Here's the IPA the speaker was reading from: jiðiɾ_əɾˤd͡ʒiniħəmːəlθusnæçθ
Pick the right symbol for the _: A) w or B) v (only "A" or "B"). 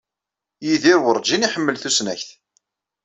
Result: A